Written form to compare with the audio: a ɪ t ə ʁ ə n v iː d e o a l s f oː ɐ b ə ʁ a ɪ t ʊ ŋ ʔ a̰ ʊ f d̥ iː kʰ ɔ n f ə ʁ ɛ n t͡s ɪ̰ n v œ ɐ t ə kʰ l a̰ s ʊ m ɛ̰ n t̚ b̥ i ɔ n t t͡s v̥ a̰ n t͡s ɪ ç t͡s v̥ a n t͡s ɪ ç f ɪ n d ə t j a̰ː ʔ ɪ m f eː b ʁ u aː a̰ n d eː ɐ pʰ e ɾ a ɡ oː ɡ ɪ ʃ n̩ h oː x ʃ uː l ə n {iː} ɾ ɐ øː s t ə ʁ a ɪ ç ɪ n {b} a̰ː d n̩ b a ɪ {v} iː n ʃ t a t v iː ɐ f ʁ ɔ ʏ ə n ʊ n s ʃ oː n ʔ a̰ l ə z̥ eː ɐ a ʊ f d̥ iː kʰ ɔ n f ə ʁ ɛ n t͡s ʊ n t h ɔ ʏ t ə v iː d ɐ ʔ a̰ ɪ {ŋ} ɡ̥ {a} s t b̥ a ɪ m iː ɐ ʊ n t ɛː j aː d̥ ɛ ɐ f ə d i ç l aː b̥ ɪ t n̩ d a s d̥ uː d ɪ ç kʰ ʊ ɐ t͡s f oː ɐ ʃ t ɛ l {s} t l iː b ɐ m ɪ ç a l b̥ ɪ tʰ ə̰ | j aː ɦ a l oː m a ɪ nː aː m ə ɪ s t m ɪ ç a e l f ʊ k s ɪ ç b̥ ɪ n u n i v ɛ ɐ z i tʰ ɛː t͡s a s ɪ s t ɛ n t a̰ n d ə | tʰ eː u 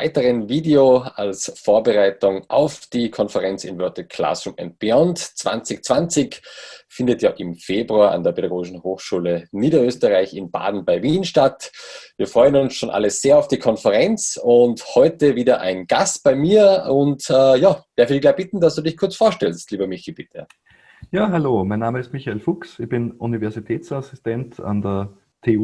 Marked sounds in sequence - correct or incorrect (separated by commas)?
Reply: correct, correct, correct, incorrect, correct, correct